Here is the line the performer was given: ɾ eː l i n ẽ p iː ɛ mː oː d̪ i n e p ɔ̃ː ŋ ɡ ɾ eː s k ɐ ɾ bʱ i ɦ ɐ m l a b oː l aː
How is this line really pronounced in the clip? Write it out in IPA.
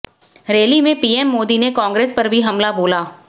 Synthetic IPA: ɾ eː l i m ẽ p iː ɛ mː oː d̪ i n e k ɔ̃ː ŋ ɡ ɾ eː s p ɐ ɾ bʱ i ɦ ɐ m l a b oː l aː